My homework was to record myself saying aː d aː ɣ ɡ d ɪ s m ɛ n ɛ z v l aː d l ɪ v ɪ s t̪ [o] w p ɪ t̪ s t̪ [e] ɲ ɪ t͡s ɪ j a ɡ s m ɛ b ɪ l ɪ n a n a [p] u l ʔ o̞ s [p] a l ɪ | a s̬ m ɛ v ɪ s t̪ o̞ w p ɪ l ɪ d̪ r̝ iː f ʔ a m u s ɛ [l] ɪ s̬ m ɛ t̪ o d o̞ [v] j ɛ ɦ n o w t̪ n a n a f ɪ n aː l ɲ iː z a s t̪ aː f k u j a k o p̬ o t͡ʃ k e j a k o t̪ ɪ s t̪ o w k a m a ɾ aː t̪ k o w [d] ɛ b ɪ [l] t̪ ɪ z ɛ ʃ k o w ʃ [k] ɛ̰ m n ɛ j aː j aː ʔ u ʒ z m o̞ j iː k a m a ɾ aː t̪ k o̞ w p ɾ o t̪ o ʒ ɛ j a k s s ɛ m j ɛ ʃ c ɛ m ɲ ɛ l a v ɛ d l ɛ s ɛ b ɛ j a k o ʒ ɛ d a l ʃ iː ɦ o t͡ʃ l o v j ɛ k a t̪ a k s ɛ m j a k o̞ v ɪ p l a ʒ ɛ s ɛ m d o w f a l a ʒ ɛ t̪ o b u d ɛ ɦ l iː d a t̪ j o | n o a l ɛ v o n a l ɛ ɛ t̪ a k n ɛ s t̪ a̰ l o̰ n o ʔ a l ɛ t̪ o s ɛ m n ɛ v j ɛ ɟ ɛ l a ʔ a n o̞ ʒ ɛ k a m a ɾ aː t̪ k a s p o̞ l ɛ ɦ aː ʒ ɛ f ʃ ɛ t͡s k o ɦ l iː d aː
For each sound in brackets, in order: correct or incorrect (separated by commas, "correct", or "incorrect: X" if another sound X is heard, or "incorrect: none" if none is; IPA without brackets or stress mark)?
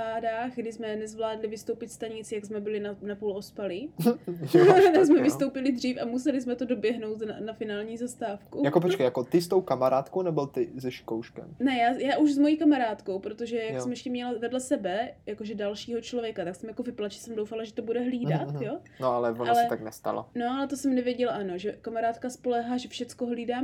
correct, incorrect: a, correct, correct, correct, incorrect: b, incorrect: n, correct, correct